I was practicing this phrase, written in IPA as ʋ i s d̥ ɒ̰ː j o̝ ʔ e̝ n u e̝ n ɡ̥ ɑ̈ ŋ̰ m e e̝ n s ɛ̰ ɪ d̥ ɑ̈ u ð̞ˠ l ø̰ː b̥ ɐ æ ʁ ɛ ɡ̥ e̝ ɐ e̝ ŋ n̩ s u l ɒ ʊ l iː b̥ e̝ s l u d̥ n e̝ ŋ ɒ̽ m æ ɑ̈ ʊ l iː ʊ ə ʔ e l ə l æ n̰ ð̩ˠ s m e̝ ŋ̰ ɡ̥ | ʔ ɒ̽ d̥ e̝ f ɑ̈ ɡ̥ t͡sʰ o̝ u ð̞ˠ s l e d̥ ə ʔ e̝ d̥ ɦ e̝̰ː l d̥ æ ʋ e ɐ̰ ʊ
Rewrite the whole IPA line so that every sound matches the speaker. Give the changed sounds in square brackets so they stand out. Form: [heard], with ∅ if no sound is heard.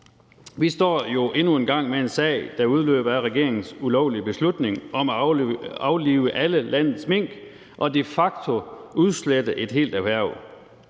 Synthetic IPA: ʋ i s d̥ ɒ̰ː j o̝ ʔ e̝ n u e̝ n ɡ̥ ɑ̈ ŋ̰ m e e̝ n s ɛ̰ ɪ d̥ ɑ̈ u ð̞ˠ l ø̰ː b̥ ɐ æ ʁ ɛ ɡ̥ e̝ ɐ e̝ ŋ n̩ s u l ɒ ʊ l [i] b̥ e̝ s l u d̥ n e̝ ŋ ɒ̽ m æ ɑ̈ ʊ l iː ʊ ə ʔ [æ] l ə l æ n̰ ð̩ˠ s m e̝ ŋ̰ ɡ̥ | ʔ ɒ̽ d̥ e̝ f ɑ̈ ɡ̥ t͡sʰ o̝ u ð̞ˠ s l e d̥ ə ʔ e̝ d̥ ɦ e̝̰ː l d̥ æ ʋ [æ] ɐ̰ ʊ